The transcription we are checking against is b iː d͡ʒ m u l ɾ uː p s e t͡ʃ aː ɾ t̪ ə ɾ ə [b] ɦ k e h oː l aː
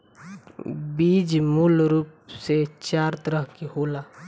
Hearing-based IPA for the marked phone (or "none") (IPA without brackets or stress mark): none